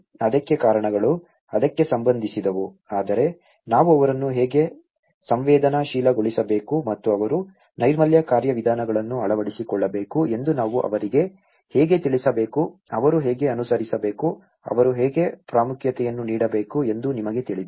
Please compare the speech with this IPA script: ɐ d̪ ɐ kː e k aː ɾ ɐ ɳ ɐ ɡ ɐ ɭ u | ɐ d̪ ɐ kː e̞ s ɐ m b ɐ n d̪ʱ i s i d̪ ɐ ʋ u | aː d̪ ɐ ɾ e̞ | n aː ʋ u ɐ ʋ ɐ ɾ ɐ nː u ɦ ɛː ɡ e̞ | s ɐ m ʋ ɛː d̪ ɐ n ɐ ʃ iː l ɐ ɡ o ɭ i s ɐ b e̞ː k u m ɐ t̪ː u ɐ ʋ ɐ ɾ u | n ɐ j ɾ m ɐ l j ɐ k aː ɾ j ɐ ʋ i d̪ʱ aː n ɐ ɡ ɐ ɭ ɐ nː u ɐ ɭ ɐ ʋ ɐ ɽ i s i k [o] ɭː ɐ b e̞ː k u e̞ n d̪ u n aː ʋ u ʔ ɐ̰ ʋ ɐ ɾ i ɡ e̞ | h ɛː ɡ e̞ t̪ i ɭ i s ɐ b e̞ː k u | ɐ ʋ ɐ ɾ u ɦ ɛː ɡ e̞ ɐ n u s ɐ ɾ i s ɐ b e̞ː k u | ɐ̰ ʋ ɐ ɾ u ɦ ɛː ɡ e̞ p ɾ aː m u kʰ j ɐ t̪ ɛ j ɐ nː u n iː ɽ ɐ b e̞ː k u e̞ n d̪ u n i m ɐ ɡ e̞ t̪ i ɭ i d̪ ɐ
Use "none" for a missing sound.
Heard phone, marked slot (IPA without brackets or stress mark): ɔ